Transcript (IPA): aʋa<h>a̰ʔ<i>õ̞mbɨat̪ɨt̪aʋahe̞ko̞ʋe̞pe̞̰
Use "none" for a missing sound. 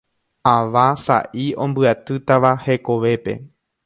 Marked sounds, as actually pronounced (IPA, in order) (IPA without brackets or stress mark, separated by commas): s, i